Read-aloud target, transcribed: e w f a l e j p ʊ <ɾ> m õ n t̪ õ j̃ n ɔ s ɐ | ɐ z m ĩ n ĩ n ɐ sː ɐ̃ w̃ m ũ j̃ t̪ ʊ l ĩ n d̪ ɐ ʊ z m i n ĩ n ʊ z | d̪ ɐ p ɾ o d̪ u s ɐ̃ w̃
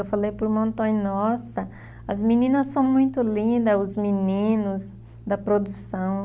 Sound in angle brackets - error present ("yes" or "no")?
no